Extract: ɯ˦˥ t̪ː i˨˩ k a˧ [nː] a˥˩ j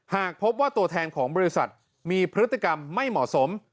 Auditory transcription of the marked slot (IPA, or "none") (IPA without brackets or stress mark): mː